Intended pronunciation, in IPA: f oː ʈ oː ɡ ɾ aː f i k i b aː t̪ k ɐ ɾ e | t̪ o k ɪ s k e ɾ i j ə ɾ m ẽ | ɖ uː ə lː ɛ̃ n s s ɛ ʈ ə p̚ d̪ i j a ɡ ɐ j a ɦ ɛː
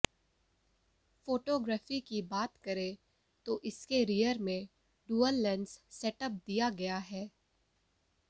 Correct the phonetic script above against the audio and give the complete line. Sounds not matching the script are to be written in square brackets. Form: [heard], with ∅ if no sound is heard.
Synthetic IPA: f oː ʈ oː ɡ ɾ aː f i k i b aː t̪ k ɐ ɾ e | t̪ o [ʔ] ɪ s k e ɾ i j ə ɾ m ẽ | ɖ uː ə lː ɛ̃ n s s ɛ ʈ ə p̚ d̪ i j a ɡ ɐ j a ɦ ɛː